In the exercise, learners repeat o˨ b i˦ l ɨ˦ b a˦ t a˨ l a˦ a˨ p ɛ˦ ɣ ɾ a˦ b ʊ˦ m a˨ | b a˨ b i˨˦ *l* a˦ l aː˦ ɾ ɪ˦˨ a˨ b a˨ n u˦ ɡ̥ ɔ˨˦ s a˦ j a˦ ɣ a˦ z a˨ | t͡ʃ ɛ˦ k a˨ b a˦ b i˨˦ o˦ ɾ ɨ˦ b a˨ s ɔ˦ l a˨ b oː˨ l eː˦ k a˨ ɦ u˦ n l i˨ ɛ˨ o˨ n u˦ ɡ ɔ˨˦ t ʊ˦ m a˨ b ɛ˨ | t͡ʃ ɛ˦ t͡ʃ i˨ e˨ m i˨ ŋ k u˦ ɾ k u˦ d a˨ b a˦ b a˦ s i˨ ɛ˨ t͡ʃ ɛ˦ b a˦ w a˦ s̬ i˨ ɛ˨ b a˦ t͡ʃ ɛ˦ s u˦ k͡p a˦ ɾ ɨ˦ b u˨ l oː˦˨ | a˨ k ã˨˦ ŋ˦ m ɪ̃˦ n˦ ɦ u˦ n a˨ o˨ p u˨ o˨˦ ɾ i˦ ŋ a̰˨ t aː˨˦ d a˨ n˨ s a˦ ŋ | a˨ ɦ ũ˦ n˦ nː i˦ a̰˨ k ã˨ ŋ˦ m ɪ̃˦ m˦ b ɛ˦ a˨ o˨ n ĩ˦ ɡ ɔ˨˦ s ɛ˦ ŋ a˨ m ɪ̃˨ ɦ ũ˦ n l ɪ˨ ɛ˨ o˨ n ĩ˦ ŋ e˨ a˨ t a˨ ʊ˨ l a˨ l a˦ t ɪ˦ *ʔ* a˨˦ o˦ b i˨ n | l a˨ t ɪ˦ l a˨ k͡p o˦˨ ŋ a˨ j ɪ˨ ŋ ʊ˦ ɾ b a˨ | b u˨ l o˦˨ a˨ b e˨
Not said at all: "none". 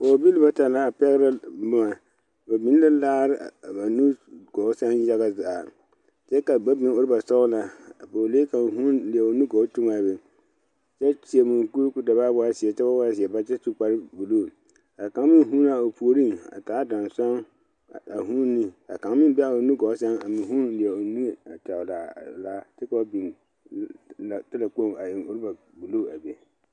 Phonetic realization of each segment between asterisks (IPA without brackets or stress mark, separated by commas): l, k